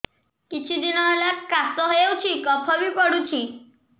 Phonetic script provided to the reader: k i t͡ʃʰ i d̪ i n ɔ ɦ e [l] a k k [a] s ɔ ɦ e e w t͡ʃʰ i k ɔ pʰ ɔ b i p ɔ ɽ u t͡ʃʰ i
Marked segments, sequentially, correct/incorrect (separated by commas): correct, correct